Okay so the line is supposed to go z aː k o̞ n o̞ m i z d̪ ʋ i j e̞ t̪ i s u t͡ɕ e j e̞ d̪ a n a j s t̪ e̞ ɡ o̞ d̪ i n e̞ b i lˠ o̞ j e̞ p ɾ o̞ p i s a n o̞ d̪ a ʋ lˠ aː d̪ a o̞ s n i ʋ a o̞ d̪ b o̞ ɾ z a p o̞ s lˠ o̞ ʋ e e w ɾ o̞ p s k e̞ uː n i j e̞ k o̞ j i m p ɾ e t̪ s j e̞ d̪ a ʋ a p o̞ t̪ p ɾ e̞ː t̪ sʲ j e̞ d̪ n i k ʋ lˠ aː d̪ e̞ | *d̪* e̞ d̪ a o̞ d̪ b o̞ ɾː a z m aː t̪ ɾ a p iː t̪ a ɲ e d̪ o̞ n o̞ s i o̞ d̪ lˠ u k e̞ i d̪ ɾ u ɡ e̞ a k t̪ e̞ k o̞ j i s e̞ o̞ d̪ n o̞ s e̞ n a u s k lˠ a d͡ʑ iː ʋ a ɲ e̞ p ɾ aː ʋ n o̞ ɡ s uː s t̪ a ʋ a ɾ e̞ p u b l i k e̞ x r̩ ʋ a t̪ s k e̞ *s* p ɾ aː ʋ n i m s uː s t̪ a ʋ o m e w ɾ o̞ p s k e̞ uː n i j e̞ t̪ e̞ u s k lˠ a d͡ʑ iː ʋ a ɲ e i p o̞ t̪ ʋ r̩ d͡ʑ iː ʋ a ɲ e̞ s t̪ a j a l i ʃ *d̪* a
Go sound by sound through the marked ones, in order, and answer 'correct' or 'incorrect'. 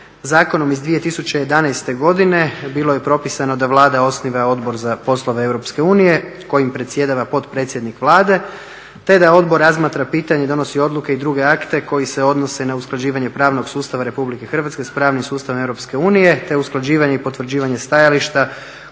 incorrect: t̪, correct, incorrect: t̪

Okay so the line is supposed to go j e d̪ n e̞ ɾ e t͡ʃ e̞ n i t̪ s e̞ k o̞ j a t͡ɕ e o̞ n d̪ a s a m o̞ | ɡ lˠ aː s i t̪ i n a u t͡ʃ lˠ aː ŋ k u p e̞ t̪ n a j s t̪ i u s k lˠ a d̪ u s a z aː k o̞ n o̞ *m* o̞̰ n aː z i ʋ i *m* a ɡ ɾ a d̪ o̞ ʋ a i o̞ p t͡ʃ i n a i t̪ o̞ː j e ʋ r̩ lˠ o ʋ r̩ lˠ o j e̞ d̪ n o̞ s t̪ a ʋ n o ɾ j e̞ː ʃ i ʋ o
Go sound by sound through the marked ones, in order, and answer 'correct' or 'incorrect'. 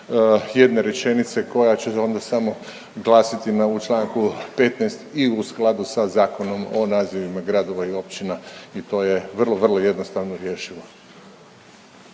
correct, correct

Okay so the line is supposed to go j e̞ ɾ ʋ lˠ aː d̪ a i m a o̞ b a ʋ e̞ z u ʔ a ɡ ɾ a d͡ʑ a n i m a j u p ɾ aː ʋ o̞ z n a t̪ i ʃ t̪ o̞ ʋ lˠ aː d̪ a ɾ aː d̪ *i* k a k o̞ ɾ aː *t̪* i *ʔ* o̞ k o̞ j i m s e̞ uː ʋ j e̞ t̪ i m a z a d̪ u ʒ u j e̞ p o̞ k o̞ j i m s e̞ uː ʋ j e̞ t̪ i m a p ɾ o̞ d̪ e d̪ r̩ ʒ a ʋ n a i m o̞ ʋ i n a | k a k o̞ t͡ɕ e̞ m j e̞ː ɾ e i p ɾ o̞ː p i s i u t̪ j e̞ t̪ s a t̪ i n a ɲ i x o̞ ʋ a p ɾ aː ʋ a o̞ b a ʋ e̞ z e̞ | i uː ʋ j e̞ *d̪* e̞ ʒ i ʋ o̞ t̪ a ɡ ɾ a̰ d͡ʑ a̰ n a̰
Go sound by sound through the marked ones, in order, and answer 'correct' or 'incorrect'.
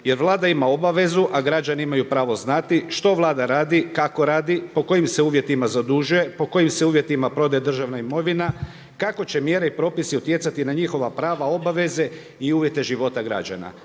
correct, incorrect: d̪, incorrect: p, incorrect: t̪

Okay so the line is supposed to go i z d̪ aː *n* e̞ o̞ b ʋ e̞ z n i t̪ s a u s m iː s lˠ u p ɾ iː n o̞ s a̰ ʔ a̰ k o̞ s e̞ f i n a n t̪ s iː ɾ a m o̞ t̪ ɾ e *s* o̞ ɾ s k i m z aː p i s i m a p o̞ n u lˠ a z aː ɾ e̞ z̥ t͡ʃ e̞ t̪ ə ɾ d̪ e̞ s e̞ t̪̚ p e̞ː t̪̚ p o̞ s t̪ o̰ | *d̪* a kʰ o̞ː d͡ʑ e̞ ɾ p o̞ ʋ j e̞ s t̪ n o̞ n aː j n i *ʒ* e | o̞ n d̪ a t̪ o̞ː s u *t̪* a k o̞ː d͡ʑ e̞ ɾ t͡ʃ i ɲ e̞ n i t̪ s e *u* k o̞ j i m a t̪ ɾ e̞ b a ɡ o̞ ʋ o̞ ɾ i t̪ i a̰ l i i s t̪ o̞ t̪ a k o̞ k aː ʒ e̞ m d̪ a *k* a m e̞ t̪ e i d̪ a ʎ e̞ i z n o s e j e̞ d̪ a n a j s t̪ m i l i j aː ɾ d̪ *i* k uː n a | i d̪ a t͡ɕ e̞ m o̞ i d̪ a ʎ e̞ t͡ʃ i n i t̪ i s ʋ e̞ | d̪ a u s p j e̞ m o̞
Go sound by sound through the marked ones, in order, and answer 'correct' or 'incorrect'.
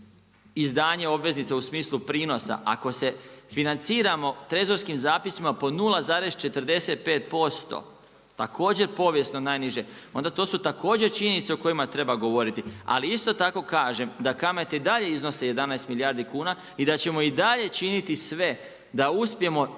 incorrect: ɲ, incorrect: z, incorrect: t̪, correct, correct, incorrect: o, correct, correct

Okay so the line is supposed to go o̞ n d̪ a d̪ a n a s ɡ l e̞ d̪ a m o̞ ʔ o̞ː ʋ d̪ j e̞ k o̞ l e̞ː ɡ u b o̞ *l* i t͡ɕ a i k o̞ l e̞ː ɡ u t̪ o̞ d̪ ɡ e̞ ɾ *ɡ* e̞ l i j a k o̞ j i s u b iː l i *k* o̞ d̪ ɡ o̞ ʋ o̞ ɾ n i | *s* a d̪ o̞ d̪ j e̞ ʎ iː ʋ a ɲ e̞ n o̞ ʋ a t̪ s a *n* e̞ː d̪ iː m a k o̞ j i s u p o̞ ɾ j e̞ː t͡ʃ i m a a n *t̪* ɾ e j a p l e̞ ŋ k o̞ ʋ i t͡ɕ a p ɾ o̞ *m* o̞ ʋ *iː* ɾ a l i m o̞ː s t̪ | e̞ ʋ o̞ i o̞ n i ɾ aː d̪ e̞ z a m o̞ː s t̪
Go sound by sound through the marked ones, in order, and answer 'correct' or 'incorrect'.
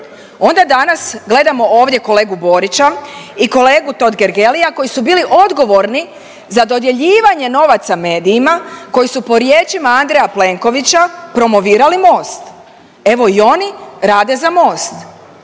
incorrect: ɾ, correct, incorrect: ʔ, incorrect: z, incorrect: m, incorrect: d̪, correct, correct

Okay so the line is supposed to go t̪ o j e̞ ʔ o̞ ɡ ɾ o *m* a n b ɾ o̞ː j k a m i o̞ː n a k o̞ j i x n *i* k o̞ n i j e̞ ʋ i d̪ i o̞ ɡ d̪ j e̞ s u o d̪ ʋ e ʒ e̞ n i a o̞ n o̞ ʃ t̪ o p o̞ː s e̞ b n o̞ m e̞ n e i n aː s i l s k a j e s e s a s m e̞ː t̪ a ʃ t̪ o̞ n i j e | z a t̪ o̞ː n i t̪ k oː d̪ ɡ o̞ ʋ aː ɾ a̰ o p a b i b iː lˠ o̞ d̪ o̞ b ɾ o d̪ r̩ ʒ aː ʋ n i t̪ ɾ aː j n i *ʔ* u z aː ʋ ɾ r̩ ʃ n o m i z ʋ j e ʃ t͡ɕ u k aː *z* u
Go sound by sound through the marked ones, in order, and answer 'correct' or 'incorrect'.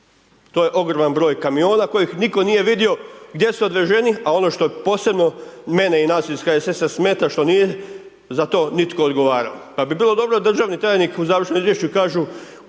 correct, correct, incorrect: k, incorrect: ʒ

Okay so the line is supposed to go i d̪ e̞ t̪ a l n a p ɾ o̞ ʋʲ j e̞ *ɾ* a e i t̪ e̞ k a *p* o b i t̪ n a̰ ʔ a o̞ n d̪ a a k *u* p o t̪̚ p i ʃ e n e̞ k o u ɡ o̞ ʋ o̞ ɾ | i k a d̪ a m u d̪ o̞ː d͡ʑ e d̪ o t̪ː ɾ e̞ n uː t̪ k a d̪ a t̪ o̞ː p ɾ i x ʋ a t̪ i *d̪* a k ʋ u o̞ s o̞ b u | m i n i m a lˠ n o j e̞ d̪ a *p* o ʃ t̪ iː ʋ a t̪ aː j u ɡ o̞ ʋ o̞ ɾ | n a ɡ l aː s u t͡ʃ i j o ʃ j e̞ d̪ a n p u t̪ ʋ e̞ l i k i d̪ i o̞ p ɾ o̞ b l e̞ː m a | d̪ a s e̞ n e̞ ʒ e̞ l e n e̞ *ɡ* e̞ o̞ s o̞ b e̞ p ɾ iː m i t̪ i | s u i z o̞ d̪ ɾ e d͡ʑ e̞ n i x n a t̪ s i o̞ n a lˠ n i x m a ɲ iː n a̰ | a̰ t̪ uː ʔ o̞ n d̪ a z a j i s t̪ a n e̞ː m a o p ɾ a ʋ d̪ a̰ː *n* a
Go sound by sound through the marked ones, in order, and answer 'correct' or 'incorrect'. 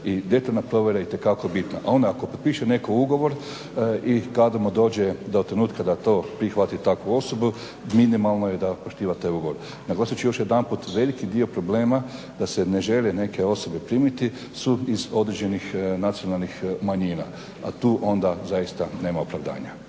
correct, incorrect: k, incorrect: o, incorrect: t̪, correct, incorrect: k, incorrect: ɲ

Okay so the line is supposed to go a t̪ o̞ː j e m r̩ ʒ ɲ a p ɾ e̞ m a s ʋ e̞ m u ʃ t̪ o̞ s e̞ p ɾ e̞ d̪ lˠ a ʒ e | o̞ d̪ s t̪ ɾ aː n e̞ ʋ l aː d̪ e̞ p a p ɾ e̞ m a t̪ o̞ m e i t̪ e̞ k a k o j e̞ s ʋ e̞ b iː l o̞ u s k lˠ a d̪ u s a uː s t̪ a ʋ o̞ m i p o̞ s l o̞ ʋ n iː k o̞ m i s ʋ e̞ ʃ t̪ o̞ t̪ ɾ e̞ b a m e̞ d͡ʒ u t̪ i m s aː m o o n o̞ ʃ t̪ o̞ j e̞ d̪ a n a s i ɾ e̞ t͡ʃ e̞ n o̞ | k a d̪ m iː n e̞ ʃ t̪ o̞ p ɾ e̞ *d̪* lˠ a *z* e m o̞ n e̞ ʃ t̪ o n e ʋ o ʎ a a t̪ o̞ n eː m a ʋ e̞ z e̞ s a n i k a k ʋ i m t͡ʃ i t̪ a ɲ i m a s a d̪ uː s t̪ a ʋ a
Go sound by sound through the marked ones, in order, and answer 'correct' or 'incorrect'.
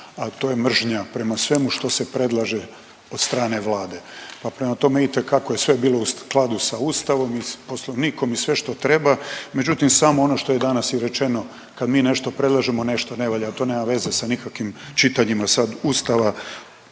correct, incorrect: ʒ

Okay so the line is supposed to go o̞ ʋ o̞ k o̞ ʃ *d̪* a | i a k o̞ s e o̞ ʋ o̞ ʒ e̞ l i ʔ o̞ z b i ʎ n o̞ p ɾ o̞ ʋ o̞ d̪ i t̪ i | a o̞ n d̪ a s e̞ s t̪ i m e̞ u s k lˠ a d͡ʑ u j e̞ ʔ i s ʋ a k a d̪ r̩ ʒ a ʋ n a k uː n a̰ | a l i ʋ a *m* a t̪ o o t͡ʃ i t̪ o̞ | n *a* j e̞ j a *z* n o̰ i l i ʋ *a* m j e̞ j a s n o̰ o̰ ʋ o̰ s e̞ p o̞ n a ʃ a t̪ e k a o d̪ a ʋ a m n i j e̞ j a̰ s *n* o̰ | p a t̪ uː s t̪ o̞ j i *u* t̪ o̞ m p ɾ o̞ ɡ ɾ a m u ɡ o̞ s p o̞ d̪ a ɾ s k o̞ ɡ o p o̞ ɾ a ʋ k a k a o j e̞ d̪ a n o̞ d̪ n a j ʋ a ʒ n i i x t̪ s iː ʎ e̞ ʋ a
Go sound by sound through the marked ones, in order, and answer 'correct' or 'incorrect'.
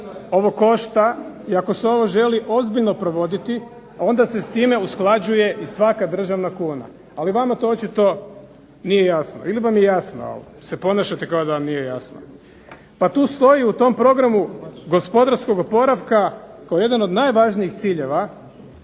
incorrect: t̪, correct, incorrect: i, incorrect: s, correct, correct, correct

